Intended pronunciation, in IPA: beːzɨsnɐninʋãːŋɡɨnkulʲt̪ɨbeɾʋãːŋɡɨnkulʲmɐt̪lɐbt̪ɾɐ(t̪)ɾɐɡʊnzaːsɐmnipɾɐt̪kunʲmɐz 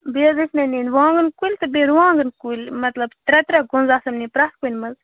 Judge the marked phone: correct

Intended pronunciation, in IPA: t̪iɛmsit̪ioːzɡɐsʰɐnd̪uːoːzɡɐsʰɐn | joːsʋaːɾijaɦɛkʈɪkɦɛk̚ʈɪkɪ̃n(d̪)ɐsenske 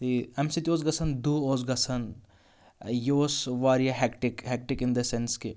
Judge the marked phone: correct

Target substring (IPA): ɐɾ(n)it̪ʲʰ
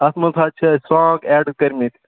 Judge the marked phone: incorrect: m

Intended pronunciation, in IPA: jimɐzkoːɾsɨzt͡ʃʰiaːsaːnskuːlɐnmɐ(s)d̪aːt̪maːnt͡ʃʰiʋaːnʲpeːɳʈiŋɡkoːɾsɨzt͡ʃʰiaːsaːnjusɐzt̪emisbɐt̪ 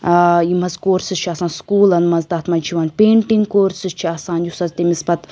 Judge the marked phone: incorrect: z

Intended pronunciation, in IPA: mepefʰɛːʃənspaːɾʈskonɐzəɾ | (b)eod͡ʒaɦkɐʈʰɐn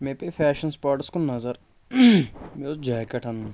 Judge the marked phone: incorrect: m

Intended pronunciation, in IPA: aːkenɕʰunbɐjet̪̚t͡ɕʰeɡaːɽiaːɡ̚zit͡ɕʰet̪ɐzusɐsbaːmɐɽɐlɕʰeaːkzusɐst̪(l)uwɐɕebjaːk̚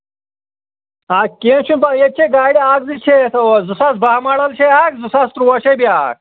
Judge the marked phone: incorrect: ɾ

